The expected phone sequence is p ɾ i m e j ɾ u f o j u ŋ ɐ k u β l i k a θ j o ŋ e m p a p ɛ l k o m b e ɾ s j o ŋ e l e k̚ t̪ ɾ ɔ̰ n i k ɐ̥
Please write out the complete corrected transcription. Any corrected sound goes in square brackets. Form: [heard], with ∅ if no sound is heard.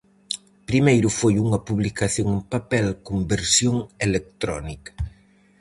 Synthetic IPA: p ɾ i m e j ɾ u f o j u ŋ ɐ [p] u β l i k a θ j o ŋ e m p a p ɛ l k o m b e ɾ s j o ŋ e l e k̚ t̪ ɾ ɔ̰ n i k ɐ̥

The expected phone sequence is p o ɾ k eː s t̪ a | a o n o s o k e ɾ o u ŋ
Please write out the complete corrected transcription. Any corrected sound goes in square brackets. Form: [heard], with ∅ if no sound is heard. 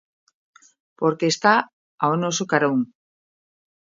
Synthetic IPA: p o ɾ k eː s t̪ a | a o n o s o k [a] ɾ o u ŋ

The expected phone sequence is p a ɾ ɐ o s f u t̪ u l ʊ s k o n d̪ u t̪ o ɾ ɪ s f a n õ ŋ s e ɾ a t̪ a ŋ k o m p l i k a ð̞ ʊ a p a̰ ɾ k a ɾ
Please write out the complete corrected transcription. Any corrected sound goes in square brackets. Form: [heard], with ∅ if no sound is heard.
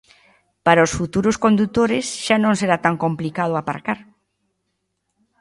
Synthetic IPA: p a ɾ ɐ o s f u t̪ u [ɾ] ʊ s k o n d̪ u t̪ o ɾ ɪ s [ʃ] a n õ ŋ s e ɾ a t̪ a ŋ k o m p l i k a ð̞ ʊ a p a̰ ɾ k a ɾ

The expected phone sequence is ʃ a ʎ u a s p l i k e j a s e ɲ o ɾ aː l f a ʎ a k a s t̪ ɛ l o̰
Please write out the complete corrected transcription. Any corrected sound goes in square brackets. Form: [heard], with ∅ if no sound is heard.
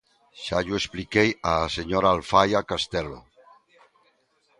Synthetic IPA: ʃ a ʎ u [e] s p l i k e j a s e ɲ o ɾ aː l f a [j] a k a s t̪ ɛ l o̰

